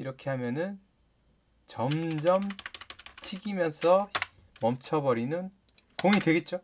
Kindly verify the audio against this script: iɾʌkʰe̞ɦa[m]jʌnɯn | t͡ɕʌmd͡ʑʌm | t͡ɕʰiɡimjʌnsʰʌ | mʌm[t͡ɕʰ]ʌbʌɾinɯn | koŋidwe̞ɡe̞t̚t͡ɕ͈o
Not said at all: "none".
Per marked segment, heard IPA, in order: m, t͡ɕʰ

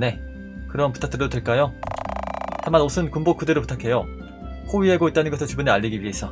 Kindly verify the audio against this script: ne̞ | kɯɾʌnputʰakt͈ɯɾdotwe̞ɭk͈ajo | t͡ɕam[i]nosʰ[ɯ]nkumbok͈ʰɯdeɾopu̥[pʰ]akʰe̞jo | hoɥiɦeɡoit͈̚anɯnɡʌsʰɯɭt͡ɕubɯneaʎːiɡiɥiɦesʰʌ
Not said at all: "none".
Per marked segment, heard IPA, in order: a, ɯ, tʰ

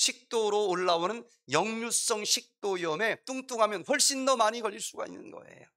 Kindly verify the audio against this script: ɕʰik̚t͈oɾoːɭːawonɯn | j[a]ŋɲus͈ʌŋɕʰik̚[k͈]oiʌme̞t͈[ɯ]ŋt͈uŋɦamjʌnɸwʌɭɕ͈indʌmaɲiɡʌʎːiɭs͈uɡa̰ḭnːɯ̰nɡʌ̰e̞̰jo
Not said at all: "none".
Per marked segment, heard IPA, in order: ʌ, t͈, u

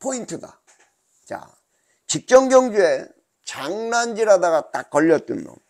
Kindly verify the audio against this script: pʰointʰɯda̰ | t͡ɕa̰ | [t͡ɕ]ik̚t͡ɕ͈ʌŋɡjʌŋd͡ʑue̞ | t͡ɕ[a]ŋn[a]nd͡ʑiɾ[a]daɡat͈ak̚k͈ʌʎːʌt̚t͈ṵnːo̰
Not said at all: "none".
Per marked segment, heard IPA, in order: t͡ɕ, a, a, a

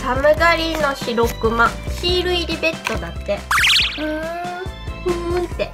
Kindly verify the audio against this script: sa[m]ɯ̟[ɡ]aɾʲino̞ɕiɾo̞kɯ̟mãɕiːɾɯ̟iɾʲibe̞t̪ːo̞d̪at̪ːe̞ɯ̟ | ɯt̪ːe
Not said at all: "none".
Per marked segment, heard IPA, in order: m, ɡ

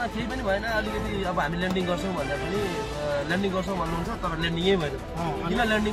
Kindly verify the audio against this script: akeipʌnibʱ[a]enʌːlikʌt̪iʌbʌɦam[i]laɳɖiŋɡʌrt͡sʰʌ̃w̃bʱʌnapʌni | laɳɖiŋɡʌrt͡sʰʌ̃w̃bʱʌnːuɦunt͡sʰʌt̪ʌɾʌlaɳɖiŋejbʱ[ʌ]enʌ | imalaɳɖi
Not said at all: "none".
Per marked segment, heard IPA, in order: ʌ, i, ʌ

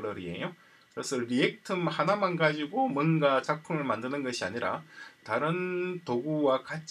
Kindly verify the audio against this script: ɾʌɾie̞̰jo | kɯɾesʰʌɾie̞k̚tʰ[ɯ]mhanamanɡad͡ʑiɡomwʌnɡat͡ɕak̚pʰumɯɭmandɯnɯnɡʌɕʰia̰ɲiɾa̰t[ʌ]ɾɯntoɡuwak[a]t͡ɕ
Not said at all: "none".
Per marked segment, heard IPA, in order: ɯ, a, a

